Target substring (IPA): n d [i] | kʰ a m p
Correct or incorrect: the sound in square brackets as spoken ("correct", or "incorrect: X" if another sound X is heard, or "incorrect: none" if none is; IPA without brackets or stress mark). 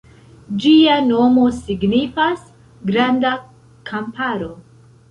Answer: incorrect: a